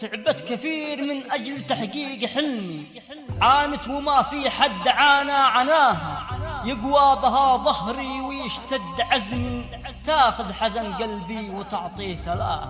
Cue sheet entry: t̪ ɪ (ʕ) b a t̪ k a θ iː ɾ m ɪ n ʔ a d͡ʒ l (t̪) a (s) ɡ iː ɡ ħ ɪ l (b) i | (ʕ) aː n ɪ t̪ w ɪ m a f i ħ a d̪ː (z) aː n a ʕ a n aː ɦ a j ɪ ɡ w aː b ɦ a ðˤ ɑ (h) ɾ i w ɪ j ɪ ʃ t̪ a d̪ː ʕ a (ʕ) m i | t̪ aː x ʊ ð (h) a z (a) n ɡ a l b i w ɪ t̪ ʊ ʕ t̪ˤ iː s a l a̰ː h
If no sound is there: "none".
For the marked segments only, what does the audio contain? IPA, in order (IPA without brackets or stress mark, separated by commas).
ʕ, t̪, ħ, m, ʕ, ʕ, h, z, ħ, a